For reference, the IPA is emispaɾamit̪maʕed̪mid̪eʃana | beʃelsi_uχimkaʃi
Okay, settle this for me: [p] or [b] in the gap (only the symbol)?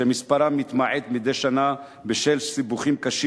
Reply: b